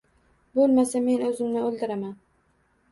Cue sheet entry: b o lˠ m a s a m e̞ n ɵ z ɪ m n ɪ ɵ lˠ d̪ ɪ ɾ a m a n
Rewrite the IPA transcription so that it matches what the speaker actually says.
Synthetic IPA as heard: b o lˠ m a s a m e̞ n ɵ z ɪ m n ɪ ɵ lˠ d̪ ɪ ɾ a m a n